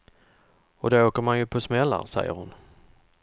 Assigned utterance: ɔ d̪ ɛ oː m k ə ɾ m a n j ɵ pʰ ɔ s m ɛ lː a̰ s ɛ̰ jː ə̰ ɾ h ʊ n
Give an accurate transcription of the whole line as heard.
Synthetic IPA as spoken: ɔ d̪ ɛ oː k ə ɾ m a n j ɵ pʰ ɔ s m ɛ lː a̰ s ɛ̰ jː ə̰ ɾ h ʊ n